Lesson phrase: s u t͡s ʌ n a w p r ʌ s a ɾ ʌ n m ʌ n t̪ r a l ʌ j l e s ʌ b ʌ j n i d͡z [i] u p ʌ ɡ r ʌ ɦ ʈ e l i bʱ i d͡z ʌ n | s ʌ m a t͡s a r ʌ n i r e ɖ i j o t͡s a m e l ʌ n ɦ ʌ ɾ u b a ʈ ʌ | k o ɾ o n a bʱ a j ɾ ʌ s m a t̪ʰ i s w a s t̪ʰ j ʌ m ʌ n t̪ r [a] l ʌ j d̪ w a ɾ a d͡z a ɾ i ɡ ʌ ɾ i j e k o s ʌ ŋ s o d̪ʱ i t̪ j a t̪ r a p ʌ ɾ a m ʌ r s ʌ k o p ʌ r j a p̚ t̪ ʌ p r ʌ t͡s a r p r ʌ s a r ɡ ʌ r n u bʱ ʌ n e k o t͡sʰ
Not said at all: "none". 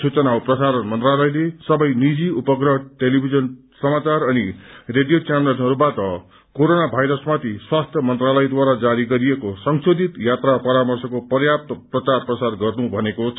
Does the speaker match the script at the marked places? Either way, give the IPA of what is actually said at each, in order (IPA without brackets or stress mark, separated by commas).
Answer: i, a